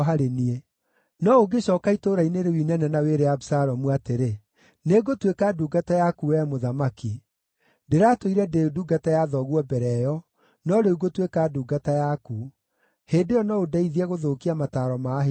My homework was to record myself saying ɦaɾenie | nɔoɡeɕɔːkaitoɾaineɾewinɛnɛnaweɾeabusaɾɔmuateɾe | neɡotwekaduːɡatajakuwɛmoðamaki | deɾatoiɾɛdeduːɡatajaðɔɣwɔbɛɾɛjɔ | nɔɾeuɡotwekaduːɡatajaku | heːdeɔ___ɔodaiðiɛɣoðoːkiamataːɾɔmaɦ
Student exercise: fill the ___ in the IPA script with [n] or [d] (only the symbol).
n